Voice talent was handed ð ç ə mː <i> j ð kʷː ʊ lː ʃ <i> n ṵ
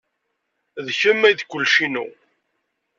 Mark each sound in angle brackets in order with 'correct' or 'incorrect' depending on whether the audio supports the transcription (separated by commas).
incorrect, correct